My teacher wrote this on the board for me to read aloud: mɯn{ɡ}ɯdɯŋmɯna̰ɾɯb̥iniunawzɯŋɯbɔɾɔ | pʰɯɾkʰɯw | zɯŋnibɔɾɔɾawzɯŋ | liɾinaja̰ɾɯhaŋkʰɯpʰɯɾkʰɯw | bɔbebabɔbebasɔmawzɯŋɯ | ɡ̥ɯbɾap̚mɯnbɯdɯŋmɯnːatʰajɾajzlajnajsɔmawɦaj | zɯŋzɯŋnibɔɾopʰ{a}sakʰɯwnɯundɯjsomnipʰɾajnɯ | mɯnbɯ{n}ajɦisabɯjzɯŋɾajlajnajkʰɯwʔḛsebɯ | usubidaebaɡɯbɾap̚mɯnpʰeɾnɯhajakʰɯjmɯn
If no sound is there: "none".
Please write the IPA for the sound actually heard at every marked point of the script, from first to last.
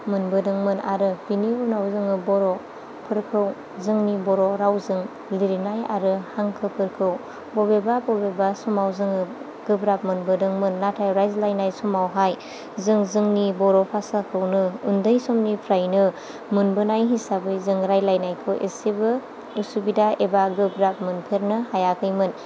b, a, n

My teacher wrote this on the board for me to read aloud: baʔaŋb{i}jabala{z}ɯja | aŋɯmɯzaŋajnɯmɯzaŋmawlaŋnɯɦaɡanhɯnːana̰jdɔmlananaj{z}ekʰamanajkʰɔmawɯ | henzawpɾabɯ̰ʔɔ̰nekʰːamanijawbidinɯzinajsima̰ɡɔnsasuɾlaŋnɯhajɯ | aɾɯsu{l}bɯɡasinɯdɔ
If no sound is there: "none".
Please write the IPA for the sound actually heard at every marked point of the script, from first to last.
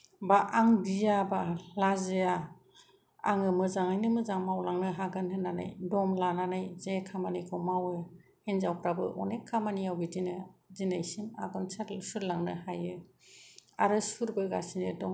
i, z, z, ɾ

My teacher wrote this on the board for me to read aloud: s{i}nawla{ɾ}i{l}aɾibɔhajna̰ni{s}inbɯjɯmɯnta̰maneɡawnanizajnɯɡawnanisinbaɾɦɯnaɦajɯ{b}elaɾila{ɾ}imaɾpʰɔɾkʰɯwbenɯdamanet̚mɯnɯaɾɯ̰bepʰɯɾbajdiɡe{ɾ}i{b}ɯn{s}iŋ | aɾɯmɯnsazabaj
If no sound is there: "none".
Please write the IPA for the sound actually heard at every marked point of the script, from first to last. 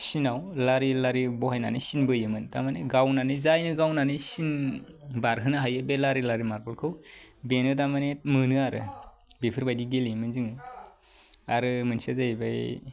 i, ɾ, l, s, b, ɾ, l, m, z

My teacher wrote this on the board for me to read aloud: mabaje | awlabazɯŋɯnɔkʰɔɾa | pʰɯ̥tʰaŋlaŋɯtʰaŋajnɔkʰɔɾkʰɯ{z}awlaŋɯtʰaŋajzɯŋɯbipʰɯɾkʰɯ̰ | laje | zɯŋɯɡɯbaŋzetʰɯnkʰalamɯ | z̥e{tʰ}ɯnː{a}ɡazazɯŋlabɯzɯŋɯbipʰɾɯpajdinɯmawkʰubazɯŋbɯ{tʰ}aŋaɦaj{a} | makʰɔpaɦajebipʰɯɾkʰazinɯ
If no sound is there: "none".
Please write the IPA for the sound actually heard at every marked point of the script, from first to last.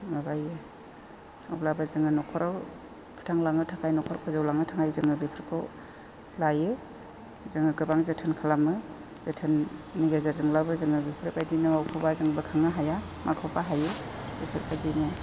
z, tʰ, i, kʰ, a

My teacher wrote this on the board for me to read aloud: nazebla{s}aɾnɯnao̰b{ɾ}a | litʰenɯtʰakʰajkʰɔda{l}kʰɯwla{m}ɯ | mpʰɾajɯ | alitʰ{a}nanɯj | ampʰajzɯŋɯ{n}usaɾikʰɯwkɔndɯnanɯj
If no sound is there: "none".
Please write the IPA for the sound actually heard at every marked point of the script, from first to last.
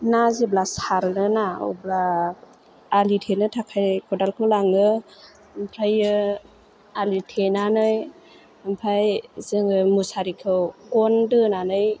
s, l, l, ŋ, e, m

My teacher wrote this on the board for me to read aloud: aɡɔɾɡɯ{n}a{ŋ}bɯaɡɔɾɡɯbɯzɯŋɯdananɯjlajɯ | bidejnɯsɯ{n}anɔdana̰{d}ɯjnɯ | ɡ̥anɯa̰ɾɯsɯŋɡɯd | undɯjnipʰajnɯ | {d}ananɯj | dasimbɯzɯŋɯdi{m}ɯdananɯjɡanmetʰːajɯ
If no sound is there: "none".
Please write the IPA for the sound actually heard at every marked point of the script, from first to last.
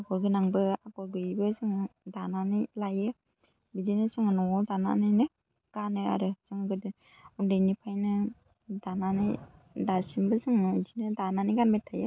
n, ŋ, ŋ, n, d, n

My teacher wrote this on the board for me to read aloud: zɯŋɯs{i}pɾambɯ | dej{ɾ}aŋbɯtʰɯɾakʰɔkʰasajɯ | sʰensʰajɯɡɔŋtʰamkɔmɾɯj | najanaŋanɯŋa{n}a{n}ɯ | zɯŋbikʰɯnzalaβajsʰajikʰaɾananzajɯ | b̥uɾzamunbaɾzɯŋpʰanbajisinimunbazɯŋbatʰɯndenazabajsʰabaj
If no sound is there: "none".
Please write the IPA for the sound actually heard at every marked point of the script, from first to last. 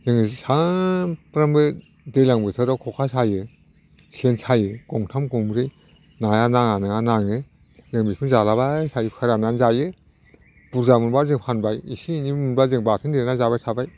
a, l, n, ŋ

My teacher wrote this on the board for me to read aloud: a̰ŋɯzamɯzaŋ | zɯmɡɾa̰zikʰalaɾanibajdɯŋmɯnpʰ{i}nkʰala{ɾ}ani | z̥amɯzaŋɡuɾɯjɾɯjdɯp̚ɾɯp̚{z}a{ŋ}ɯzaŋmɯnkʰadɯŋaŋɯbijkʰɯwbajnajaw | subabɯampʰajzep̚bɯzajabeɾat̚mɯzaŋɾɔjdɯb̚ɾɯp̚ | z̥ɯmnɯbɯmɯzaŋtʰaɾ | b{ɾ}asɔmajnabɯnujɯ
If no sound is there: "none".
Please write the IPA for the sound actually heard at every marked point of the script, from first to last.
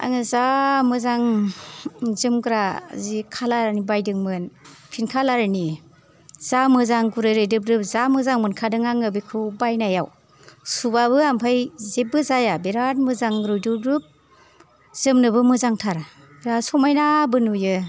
i, ɾ, z, m, ɾ

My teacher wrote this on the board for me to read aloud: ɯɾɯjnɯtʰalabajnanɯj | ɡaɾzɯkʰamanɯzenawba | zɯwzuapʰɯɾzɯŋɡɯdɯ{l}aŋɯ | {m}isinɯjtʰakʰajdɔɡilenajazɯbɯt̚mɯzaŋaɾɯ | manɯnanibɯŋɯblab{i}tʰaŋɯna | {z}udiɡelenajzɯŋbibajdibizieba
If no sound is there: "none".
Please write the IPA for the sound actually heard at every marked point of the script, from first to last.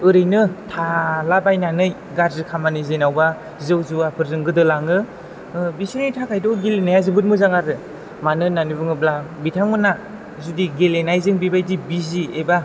l, b, i, z

